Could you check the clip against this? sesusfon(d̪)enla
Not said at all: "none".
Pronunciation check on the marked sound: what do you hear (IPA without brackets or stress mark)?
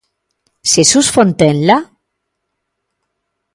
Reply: t̪